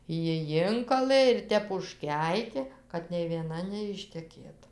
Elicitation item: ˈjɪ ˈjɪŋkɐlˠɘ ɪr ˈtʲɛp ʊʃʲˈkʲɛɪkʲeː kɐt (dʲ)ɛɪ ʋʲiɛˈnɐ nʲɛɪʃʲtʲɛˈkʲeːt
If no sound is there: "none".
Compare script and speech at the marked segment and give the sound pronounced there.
nʲ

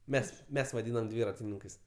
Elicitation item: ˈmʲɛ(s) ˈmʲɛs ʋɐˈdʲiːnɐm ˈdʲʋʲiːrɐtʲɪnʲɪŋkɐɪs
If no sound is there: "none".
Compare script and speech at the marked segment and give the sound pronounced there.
s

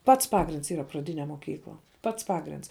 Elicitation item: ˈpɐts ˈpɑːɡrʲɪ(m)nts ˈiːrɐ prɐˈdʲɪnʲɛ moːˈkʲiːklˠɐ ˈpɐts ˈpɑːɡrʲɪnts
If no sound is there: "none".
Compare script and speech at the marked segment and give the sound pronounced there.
none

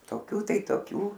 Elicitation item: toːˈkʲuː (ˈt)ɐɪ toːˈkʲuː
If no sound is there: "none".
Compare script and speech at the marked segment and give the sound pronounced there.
t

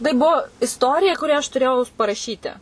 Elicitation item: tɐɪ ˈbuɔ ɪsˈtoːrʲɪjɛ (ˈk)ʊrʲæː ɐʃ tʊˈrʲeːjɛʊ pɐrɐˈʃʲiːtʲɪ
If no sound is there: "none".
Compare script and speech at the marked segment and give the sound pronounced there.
k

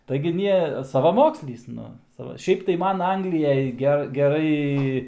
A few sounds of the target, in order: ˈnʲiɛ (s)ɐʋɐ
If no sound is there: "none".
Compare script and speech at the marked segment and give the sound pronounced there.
s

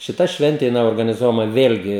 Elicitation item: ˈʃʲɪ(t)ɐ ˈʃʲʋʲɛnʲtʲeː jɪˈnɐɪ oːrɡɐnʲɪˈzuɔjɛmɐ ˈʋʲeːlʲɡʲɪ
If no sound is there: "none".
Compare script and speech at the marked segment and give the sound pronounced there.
t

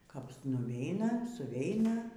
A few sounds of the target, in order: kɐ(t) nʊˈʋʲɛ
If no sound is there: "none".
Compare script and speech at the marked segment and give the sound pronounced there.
p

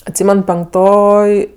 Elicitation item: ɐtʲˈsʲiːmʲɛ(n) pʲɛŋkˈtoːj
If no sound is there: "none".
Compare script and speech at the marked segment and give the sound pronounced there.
n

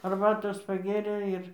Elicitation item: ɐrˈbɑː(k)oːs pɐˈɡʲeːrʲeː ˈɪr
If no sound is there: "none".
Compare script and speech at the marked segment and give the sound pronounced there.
t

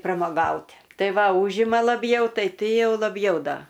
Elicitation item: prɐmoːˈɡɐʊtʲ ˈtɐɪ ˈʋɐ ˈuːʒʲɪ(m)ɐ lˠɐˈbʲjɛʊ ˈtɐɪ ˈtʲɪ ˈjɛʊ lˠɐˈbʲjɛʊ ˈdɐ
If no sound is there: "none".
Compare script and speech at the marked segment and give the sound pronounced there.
m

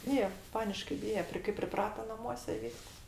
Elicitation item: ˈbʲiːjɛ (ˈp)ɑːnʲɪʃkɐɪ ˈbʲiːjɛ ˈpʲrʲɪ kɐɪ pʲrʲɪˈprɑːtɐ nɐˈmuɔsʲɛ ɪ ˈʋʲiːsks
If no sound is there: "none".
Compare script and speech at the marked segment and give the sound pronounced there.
p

